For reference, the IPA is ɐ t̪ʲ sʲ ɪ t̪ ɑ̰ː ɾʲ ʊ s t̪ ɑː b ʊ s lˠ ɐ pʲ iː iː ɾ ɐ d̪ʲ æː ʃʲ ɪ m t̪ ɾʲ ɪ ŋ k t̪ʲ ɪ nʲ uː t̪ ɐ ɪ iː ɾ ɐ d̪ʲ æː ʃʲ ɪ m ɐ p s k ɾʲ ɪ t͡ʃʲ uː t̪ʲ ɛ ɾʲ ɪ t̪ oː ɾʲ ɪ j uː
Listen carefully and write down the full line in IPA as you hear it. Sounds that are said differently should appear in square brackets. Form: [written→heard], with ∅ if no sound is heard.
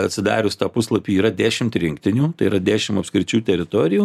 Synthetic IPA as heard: ɐ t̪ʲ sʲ ɪ [t̪→d̪] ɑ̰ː ɾʲ ʊ s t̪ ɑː [b→p] ʊ s lˠ ɐ pʲ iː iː ɾ ɐ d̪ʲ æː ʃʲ ɪ m t̪ ɾʲ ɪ ŋ k t̪ʲ ɪ nʲ uː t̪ ɐ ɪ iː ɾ ɐ d̪ʲ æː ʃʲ ɪ m ɐ p s k ɾʲ ɪ t͡ʃʲ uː t̪ʲ ɛ ɾʲ ɪ t̪ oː ɾʲ ɪ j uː